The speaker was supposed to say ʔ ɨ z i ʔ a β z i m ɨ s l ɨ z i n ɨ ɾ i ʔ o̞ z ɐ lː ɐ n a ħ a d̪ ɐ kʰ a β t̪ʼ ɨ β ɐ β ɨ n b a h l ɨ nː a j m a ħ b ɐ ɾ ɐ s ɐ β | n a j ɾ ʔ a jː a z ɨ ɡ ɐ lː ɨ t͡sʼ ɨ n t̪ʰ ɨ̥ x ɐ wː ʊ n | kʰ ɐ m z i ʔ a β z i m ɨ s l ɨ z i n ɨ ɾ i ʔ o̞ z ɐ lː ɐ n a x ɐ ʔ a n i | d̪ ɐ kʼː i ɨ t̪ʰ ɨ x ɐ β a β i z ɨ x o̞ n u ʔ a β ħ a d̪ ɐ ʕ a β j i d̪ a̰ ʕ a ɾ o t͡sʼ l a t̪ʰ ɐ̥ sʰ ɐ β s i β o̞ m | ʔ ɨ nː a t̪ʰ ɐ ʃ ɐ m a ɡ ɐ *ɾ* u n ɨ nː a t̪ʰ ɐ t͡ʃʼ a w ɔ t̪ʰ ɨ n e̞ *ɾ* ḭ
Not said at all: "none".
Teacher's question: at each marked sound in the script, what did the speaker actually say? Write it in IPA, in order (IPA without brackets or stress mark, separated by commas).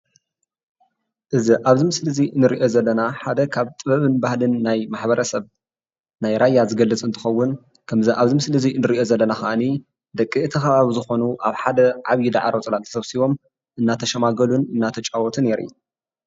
l, ɾ